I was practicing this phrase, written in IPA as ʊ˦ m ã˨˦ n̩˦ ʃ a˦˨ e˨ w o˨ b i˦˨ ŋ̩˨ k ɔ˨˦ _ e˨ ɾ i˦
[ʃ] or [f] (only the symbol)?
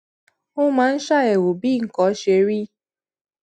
ʃ